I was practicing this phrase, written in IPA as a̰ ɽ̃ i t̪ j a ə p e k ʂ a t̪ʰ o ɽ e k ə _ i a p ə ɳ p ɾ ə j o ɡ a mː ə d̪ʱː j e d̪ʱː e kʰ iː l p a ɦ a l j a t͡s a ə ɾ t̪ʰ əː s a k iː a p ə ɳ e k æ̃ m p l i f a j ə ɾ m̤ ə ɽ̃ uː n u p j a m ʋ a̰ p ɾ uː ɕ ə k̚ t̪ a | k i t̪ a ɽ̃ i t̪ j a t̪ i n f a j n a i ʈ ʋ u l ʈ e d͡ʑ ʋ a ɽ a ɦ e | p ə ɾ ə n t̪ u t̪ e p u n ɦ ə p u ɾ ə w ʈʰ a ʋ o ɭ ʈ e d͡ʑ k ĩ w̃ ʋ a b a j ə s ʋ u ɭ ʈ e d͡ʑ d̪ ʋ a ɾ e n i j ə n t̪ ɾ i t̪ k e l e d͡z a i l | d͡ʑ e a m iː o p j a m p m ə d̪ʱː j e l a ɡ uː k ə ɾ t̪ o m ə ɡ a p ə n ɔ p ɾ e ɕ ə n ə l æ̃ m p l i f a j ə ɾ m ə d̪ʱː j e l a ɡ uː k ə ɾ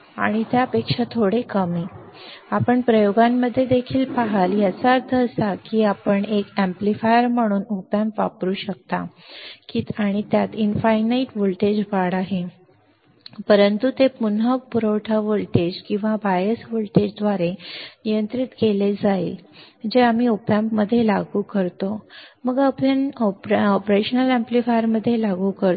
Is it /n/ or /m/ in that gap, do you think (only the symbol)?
m